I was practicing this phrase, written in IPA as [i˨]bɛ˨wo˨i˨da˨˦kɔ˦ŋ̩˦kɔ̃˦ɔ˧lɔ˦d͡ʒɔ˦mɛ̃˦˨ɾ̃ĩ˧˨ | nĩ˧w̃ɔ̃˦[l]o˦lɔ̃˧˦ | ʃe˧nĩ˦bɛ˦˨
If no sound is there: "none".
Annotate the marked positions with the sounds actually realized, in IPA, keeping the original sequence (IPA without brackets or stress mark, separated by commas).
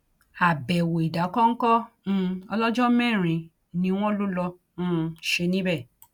a˨, l